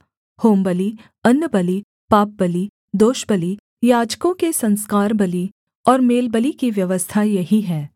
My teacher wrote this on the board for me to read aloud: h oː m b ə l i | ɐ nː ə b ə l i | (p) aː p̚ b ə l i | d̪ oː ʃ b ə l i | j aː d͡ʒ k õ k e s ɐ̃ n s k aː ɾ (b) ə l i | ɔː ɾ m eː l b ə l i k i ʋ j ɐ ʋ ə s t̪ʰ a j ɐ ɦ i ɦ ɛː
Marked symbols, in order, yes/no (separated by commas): yes, yes